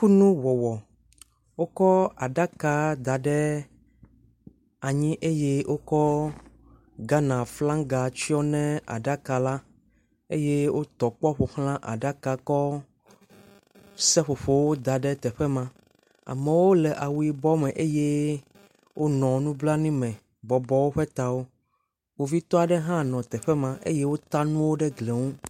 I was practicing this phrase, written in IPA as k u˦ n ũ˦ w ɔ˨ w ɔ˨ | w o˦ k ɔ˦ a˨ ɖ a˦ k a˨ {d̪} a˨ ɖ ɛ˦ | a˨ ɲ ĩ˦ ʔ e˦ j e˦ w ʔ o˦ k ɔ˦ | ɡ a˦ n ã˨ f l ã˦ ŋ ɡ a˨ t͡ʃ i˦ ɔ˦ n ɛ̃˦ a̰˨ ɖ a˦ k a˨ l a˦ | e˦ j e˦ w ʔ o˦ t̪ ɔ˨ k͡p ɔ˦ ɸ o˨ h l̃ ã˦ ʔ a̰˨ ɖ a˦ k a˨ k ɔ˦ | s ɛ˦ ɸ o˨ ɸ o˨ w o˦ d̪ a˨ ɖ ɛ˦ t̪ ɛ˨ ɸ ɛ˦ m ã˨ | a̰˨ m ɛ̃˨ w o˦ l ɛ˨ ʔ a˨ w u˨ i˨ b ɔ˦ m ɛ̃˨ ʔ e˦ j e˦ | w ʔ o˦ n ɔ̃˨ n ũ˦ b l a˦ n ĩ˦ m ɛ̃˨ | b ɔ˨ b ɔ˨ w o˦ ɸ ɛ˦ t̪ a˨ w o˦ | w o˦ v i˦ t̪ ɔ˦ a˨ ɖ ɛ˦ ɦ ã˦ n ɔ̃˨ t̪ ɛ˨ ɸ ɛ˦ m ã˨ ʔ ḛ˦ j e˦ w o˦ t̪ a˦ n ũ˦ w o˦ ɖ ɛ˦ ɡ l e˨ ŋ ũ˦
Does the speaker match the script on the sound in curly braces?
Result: yes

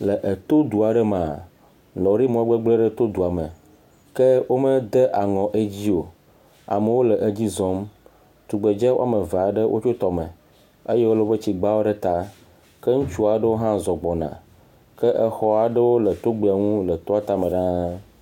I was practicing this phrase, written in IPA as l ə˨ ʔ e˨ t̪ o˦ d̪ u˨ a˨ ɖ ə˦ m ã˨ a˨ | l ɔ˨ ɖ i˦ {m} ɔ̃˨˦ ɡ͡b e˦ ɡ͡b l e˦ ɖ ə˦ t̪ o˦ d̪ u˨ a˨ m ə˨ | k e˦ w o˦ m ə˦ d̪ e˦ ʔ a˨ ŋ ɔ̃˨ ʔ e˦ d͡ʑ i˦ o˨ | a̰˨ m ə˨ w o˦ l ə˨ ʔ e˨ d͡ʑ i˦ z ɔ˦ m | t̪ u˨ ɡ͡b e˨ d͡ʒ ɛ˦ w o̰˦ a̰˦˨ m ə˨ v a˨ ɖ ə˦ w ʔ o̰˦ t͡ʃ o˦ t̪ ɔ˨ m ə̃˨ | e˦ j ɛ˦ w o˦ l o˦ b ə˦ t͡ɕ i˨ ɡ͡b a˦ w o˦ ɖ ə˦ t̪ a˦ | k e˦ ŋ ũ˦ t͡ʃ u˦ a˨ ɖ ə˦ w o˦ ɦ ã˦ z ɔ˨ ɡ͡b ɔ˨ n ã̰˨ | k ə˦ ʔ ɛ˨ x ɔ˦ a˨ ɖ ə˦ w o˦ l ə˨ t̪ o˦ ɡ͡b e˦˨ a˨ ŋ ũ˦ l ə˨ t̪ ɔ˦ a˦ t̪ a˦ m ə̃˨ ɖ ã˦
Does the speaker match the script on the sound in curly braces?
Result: yes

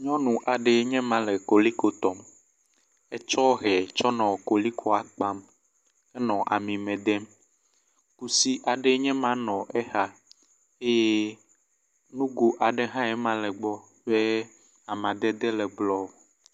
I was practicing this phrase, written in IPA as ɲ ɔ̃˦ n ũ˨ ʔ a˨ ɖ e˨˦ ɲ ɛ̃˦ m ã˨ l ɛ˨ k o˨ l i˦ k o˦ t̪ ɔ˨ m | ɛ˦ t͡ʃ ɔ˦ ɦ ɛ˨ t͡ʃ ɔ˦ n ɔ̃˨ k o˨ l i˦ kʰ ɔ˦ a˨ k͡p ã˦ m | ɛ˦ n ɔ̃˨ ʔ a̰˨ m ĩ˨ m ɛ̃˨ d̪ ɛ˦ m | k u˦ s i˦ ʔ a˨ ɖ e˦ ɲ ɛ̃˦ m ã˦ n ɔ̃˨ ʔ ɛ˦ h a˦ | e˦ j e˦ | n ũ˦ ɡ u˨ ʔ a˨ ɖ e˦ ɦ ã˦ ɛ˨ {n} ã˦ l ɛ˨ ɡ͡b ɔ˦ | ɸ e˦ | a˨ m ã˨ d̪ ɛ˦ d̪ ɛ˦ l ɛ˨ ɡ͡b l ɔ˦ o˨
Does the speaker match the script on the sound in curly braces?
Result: no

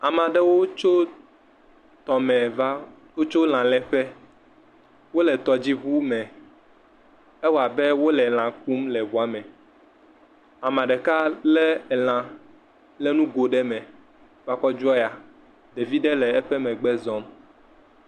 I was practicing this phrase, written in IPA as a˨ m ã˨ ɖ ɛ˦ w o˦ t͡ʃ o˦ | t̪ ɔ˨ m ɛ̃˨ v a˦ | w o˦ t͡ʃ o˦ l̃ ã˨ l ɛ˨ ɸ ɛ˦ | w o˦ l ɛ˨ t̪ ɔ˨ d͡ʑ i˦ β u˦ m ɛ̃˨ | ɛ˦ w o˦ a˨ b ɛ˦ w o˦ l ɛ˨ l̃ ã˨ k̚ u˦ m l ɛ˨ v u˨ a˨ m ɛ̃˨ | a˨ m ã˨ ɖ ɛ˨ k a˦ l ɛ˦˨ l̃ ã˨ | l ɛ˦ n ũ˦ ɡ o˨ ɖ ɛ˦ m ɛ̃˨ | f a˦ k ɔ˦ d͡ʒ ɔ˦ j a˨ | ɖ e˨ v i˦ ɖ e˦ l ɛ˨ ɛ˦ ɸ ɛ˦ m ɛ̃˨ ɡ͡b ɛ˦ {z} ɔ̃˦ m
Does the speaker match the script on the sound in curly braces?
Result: yes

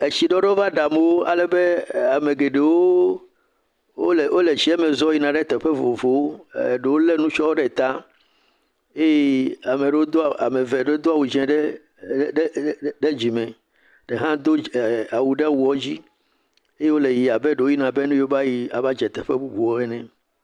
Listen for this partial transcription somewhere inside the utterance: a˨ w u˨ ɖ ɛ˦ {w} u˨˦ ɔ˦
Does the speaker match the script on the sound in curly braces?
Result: yes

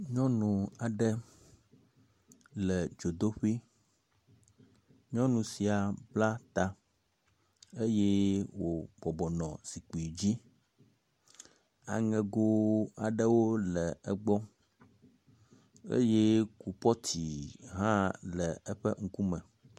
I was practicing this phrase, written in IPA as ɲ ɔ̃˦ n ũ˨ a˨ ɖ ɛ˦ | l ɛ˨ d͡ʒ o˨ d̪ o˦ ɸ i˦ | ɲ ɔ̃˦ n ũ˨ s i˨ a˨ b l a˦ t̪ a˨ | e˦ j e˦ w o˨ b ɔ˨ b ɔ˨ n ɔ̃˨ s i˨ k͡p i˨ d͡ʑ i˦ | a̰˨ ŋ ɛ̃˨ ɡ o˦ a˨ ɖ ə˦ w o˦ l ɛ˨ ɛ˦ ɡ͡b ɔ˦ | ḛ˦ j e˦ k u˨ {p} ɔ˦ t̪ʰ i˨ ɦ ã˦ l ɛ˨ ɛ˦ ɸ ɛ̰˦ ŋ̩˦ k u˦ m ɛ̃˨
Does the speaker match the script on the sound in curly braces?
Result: yes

